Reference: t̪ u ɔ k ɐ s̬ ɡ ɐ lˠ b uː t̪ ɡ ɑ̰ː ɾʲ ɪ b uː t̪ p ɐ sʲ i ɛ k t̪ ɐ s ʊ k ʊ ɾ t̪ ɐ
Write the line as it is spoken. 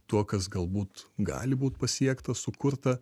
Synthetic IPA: t̪ u ɔ k ɐ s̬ ɡ ɐ lˠ b uː t̪ ɡ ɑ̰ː lʲ ɪ b uː t̪ p ɐ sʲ i ɛ k t̪ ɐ s ʊ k ʊ ɾ t̪ ɐ